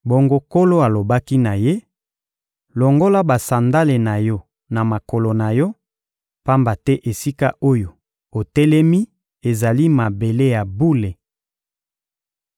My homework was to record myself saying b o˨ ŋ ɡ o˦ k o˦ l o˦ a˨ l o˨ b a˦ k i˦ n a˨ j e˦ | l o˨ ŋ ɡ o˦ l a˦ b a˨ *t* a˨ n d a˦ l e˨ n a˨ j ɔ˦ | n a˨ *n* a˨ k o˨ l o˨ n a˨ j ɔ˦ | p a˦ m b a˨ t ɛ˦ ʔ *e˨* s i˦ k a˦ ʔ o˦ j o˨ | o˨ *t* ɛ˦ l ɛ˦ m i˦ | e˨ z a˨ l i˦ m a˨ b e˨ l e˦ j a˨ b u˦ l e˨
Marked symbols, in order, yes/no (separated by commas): no, no, yes, yes